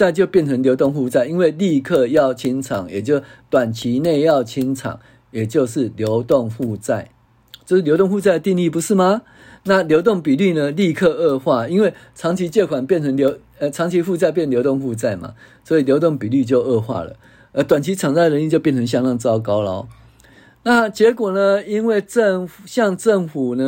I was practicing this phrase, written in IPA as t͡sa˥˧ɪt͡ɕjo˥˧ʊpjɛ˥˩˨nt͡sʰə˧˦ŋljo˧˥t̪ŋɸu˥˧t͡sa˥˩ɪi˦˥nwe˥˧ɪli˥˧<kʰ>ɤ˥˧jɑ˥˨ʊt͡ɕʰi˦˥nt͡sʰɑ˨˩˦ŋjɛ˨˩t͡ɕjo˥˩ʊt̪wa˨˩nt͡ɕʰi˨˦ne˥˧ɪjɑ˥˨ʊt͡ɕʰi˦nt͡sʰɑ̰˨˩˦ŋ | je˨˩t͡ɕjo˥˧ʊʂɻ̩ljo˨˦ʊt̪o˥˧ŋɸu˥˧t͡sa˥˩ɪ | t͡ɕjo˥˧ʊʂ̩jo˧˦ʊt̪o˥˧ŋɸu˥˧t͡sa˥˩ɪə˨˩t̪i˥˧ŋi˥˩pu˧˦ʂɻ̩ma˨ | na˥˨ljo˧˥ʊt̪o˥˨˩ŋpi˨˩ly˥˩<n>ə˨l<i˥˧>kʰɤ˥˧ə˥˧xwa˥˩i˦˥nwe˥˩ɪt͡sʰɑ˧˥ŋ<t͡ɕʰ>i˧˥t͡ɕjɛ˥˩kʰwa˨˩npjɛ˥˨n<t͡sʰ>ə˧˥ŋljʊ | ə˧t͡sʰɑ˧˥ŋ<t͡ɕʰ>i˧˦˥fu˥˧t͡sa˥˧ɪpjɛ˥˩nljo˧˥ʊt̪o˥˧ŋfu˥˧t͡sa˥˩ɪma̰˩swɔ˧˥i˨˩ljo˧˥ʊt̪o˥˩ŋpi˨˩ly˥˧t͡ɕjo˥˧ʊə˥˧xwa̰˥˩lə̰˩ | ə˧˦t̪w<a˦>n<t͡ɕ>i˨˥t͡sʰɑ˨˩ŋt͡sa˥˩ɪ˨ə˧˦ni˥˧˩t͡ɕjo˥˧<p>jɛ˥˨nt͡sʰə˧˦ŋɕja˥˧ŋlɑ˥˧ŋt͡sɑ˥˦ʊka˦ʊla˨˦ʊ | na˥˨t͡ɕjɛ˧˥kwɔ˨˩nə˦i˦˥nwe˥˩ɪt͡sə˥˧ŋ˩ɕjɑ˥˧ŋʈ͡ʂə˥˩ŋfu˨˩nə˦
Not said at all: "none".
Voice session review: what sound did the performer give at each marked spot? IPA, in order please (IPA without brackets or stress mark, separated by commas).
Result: kʰ, n, i˥˧, t͡ɕʰ, t͡sʰ, t͡ɕʰ, a˨˩, t͡ɕʰ, p